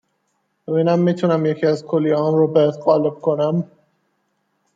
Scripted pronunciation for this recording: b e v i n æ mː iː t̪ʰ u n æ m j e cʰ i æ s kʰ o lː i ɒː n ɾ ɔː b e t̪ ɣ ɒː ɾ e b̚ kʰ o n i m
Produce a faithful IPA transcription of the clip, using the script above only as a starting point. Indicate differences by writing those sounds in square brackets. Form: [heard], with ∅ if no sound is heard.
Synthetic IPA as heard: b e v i n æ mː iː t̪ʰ u n æ m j e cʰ i æ [z] kʰ o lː i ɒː n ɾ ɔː b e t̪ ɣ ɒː [l] e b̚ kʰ o n [æ] m